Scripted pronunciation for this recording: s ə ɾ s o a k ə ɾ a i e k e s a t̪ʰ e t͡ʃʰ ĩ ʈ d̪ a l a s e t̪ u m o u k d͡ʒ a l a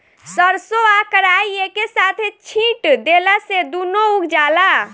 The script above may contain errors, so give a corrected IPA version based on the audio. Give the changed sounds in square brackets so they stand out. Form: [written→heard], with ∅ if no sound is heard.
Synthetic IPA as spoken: s ə ɾ s o a k ə ɾ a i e k e s a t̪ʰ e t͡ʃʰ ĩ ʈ d̪ [a→e] l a s e [t̪→d̪] u [m→n] o u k d͡ʒ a l a